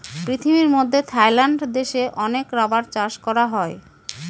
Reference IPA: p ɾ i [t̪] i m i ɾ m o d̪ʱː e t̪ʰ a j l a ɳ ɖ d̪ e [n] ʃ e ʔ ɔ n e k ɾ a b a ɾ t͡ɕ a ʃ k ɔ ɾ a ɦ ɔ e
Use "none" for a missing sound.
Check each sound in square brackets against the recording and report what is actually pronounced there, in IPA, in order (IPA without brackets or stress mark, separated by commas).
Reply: t̪ʰ, none